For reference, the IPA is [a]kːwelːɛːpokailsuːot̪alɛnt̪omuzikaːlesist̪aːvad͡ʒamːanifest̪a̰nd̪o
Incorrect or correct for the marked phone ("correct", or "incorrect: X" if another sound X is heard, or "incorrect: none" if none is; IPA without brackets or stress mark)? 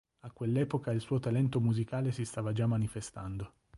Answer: correct